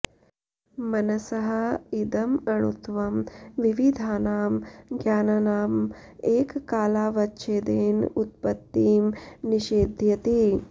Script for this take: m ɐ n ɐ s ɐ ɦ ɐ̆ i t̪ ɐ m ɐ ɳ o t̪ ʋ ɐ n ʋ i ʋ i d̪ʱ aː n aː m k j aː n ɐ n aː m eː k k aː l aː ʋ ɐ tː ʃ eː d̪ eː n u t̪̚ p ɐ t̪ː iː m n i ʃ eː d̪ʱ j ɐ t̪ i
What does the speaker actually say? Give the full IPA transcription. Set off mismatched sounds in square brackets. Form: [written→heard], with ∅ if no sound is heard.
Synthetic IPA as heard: m ɐ n ɐ s ɐ ɦ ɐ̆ i [t̪→d̪] ɐ m ɐ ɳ [o→u] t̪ ʋ ɐ [n→m] ʋ i ʋ i d̪ʱ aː n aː m [k→ɡ] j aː n ɐ n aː m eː k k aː l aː ʋ ɐ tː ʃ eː d̪ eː n u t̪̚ p ɐ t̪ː iː m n i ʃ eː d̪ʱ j ɐ t̪ i